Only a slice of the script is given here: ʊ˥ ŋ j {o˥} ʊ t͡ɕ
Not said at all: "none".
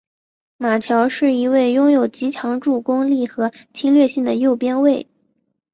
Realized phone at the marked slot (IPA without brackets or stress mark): o˨˩